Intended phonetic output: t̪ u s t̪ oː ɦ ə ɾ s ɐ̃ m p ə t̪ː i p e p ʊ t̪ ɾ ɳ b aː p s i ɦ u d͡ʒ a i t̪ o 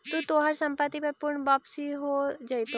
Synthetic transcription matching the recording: t̪ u t̪ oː ɦ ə ɾ s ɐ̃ m p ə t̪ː i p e p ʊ ɾ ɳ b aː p s i ɦ o d͡ʒ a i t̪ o